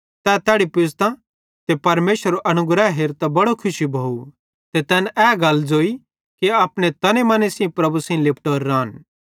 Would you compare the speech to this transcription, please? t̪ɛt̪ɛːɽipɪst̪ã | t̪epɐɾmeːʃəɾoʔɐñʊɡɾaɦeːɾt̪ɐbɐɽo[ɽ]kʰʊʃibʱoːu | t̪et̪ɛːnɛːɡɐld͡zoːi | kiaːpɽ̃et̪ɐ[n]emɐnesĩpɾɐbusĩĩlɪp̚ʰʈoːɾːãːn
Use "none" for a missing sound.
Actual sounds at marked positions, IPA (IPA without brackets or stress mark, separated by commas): none, n